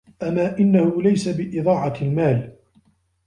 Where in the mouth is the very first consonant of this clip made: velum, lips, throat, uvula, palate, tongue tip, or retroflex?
throat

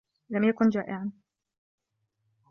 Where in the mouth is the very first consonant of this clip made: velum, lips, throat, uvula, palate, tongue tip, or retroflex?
tongue tip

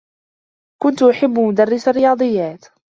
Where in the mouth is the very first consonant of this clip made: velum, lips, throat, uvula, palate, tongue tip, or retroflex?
velum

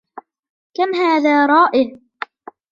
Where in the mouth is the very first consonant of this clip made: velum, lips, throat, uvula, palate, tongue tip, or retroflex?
velum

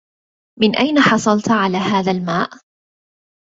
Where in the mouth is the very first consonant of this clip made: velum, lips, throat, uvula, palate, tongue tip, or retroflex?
lips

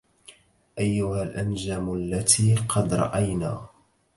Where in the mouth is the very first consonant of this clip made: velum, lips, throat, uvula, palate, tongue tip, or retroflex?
throat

